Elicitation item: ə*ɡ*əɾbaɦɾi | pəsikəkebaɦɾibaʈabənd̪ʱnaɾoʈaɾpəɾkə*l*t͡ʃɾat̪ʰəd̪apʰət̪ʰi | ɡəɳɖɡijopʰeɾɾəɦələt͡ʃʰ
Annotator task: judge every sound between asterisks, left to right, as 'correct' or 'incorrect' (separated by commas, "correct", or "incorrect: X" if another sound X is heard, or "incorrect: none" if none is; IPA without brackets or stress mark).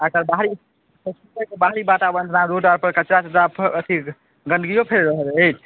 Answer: incorrect: k, incorrect: none